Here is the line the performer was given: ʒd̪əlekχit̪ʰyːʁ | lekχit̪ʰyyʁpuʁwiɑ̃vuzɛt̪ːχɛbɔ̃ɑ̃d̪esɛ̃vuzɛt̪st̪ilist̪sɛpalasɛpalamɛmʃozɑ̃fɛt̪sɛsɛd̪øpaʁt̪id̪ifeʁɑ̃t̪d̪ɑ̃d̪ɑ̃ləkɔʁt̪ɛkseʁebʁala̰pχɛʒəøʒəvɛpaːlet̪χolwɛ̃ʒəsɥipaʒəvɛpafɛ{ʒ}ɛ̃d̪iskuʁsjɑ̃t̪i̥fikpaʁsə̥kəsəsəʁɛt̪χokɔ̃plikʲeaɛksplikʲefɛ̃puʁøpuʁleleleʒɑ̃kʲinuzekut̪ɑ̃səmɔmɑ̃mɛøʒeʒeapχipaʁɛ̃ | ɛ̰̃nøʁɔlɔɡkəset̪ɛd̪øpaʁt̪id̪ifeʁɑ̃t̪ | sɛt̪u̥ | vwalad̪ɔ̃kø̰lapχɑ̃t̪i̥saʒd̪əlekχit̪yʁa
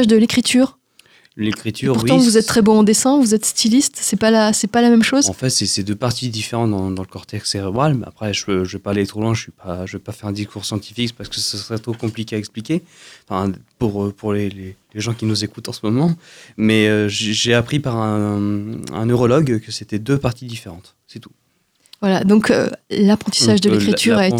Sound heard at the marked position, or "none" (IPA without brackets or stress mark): ʁ